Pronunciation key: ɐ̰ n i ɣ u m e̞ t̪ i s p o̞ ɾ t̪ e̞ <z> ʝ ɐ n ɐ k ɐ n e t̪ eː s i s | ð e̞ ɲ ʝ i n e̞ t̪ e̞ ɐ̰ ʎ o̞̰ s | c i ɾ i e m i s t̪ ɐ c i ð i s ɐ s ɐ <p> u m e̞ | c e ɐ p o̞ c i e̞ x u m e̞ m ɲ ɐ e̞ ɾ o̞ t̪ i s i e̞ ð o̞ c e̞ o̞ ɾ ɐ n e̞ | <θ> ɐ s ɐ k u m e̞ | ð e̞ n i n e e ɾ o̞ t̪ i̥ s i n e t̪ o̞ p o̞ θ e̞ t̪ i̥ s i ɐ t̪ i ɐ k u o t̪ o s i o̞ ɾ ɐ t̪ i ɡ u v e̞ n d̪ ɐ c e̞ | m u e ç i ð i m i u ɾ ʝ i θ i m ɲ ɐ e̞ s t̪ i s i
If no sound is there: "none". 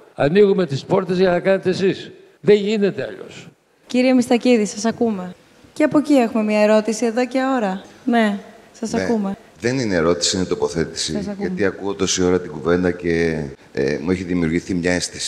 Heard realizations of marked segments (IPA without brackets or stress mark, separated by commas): z, k, s